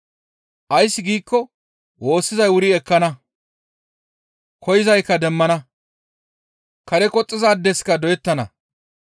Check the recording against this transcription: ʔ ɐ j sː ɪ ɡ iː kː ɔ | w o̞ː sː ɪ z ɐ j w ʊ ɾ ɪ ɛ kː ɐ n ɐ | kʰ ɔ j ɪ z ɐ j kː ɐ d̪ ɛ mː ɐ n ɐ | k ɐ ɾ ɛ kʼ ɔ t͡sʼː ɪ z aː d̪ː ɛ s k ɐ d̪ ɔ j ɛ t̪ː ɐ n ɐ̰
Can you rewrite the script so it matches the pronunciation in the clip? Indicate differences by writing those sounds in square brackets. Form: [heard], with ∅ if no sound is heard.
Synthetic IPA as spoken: ʔ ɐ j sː ɪ ɡ iː kː ɔ | w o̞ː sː ɪ z ɐ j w ʊ ɾ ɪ ɛ kː ɐ n ɐ | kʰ ɔ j ɪ z ɐ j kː ɐ d̪ ɛ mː ɐ n ɐ | k ɐ ɾ ɛ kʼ ɔ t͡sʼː ɪ z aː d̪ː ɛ s k ɐ d̪ ɔ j ɛ t̪ː ɐ n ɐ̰

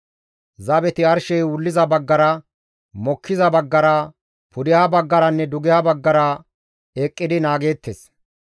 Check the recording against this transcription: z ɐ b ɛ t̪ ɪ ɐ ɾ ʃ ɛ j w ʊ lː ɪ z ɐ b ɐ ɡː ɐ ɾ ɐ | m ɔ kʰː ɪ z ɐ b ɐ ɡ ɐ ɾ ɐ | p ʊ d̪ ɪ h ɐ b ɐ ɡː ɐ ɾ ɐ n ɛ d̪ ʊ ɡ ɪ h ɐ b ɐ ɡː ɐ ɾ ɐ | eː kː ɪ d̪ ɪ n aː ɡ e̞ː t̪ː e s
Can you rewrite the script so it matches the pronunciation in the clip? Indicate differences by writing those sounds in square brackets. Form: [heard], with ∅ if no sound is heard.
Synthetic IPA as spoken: z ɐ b ɛ t̪ ɪ ɐ ɾ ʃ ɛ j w ʊ lː ɪ z ɐ b ɐ ɡː ɐ ɾ ɐ | m ɔ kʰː ɪ z ɐ b ɐ [ɡː] ɐ ɾ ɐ | p ʊ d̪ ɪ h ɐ b ɐ ɡː ɐ ɾ ɐ [nː] ɛ d̪ ʊ ɡ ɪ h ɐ b ɐ ɡː ɐ ɾ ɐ | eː [kʼː] ɪ d̪ ɪ n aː ɡ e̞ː t̪ː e s

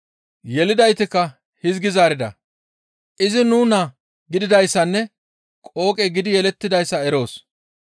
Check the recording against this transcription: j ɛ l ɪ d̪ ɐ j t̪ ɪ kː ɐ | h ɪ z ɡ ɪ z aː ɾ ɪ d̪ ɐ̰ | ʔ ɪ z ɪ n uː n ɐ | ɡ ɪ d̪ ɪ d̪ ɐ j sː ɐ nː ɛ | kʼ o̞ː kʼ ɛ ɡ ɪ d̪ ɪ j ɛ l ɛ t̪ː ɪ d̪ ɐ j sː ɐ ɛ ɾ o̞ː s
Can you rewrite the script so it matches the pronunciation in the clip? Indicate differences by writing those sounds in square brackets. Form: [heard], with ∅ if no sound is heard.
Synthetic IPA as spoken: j ɛ l ɪ d̪ ɐ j t̪ ɪ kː ɐ | h ɪ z ɡ ɪ z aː ɾ ɪ d̪ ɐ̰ | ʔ ɪ z ɪ n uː n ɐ | ɡ ɪ d̪ ɪ d̪ ɐ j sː ɐ nː ɛ | kʼ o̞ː kʼ ɛ ɡ ɪ d̪ ɪ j ɛ l ɛ t̪ː ɪ d̪ ɐ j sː ɐ ɛ ɾ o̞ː s

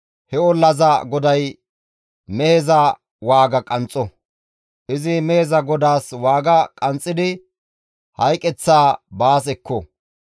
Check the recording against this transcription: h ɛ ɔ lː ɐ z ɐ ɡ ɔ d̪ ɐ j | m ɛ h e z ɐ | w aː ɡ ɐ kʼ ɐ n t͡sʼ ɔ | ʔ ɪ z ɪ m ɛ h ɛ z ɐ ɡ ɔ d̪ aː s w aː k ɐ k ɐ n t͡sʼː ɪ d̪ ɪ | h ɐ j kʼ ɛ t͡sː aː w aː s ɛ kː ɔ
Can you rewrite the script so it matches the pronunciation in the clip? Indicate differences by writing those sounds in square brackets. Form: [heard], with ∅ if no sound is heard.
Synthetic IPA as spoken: h ɛ ɔ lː ɐ z ɐ ɡ ɔ d̪ ɐ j | m ɛ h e z ɐ | w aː ɡ ɐ kʼ ɐ n t͡sʼ ɔ | ʔ ɪ z ɪ m ɛ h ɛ z ɐ ɡ ɔ d̪ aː s w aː [ɡ] ɐ [kʼ] ɐ n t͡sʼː ɪ d̪ ɪ | h ɐ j kʼ ɛ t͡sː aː [b] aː s ɛ kː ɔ

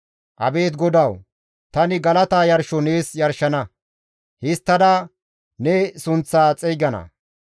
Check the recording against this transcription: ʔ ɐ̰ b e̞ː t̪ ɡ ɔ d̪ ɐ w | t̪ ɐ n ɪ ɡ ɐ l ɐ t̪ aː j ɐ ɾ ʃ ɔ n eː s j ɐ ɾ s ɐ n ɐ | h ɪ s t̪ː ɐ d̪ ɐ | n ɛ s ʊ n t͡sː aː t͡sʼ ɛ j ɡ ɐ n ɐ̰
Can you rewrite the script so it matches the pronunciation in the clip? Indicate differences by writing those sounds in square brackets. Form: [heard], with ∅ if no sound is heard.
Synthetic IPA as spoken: ʔ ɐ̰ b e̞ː t̪ ɡ ɔ d̪ ɐ w | t̪ ɐ n ɪ ɡ ɐ l ɐ t̪ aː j ɐ ɾ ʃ ɔ n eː s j ɐ ɾ [ʃ] ɐ n ɐ | h ɪ s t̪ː ɐ d̪ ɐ | n ɛ s ʊ n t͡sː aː t͡sʼ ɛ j ɡ ɐ n ɐ̰

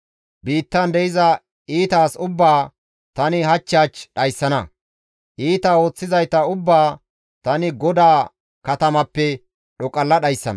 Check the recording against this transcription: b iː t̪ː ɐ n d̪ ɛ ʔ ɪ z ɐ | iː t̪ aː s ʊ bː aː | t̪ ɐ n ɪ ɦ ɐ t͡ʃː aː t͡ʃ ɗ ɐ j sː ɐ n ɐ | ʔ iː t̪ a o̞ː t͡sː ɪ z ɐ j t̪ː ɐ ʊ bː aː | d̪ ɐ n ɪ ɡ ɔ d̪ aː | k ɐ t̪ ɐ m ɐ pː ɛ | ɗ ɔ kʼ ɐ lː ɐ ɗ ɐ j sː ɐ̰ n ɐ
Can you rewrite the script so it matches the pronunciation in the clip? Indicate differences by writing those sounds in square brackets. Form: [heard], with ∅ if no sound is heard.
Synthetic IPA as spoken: b iː t̪ː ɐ n d̪ ɛ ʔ ɪ z ɐ | iː t̪ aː s ʊ bː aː | t̪ ɐ n ɪ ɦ ɐ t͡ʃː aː t͡ʃ ɗ ɐ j sː ɐ n ɐ | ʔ iː t̪ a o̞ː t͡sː ɪ z ɐ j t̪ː ɐ ʊ bː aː | [t̪] ɐ n ɪ ɡ ɔ d̪ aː | k ɐ t̪ ɐ m ɐ pː ɛ | ɗ ɔ kʼ ɐ lː ɐ ɗ ɐ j sː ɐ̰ n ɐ

